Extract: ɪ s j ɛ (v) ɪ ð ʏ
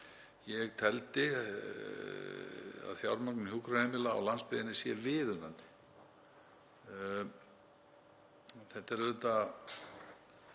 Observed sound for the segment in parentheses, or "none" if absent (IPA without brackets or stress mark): v